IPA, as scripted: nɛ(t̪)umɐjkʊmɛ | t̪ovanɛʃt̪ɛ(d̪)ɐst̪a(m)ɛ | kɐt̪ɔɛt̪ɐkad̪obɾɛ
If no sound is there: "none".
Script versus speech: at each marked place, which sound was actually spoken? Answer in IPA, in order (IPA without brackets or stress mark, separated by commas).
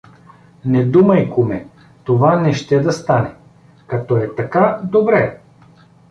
d̪, d̪, n